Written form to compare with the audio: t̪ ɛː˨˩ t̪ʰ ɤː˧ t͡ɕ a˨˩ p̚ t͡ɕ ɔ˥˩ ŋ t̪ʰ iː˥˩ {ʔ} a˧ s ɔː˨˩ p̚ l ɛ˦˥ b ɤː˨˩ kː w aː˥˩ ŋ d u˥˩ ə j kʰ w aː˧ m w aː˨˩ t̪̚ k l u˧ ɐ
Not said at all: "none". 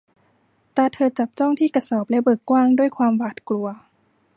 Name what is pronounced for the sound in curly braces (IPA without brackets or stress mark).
k